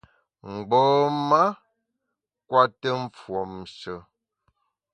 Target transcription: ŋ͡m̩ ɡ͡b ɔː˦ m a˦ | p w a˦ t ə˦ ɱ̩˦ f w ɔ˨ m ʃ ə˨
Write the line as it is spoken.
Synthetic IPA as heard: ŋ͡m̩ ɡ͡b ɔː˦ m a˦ | k w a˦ t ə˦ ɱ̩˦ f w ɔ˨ m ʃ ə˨